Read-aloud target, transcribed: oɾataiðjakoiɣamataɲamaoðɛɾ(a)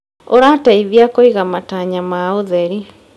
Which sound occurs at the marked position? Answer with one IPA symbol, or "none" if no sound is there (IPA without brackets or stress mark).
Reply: i